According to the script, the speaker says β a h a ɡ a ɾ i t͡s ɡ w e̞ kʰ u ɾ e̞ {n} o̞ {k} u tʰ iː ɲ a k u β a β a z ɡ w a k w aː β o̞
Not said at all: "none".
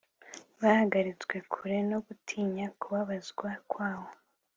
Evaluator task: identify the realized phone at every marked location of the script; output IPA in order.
n, ɡ

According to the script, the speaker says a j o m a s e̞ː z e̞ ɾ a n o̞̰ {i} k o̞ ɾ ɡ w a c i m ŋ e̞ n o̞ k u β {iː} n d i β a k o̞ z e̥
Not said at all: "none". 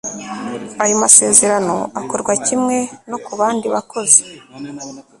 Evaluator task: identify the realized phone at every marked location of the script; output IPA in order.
a, aː

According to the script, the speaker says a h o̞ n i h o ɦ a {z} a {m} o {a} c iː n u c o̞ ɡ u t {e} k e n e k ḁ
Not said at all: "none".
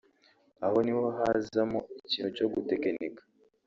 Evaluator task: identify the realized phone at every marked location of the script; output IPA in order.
z, m, i, e

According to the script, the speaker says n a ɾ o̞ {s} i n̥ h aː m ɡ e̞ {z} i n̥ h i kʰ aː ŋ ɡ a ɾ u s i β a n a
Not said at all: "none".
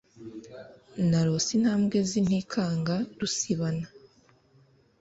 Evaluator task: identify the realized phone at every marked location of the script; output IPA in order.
s, z

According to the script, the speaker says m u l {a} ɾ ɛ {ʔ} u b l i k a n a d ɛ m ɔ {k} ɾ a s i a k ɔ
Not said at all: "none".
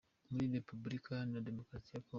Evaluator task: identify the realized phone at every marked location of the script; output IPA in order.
i, p, k

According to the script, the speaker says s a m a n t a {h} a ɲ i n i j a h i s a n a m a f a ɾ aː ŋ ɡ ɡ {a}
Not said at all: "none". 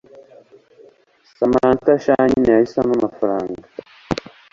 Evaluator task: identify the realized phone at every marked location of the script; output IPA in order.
ʃ, a

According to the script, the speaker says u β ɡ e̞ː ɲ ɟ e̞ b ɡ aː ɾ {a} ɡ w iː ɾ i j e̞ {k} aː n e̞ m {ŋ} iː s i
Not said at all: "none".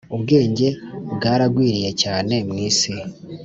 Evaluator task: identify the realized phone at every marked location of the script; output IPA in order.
a, c, ŋ

